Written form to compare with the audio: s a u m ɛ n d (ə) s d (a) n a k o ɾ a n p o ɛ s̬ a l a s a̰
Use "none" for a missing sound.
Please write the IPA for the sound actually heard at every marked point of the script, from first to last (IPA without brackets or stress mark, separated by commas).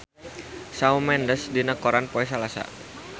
ə, i